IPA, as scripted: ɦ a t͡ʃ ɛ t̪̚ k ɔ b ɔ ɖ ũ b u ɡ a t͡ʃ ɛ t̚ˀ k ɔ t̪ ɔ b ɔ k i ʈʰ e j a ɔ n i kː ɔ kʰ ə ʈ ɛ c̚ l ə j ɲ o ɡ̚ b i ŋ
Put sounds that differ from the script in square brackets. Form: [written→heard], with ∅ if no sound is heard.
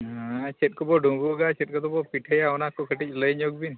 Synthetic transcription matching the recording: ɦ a t͡ʃ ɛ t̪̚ k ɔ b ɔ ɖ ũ b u ɡ a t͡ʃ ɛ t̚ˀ k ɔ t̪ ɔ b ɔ [k→p] i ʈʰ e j a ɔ n [i→a] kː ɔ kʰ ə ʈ [ɛ→i] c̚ l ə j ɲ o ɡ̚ b i [ŋ→n]